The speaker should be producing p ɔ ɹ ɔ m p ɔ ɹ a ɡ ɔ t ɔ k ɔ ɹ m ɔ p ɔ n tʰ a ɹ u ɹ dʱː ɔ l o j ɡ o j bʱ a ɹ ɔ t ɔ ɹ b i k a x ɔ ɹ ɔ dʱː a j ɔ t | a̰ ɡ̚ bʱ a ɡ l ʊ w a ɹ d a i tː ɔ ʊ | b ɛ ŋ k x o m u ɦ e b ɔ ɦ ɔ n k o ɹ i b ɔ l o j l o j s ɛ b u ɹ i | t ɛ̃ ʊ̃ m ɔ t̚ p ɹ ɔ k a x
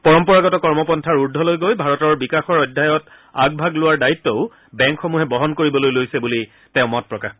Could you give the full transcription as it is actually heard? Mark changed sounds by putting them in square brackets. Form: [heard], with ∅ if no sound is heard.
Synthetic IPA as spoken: p ɔ ɹ ɔ m p ɔ ɹ a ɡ ɔ t ɔ k ɔ ɹ m ɔ p ɔ n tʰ a ɹ u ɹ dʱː ɔ l o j ɡ o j bʱ a ɹ ɔ t ɔ ɹ b i k a x ɔ ɹ ɔ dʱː a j ɔ t | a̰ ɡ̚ bʱ a ɡ l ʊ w a ɹ d a i tː ɔ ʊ | b ɛ ŋ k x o m u ɦ [ɛ] b ɔ ɦ ɔ n k o ɹ i b ɔ l o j l o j s ɛ b u [l] i | t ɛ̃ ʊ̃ m ɔ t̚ p ɹ ɔ k a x